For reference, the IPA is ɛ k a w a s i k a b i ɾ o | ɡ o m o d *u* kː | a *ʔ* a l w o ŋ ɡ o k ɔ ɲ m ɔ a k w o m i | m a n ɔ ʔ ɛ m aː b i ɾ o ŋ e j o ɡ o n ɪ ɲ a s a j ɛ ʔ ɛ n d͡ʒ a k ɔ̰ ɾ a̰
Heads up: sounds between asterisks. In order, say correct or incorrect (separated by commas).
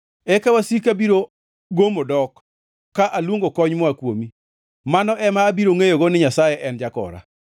incorrect, correct